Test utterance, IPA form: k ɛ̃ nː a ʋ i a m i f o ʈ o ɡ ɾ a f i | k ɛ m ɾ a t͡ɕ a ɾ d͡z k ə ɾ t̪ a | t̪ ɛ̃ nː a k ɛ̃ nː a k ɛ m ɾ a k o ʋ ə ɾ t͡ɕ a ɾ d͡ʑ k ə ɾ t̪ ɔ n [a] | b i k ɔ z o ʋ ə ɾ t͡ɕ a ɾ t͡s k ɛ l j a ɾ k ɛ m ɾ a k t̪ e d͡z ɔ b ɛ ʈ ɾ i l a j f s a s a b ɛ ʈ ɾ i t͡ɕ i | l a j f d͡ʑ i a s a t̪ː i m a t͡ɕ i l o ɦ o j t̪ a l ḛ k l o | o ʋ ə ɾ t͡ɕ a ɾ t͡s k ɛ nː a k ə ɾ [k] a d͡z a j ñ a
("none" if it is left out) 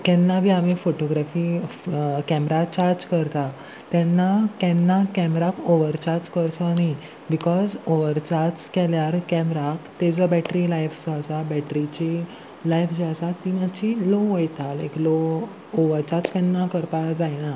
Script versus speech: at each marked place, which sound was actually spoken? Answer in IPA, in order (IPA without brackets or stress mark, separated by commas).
i, p